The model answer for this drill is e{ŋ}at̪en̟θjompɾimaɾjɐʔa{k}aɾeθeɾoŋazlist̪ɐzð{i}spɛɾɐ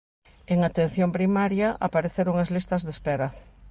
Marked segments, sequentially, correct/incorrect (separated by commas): correct, incorrect, incorrect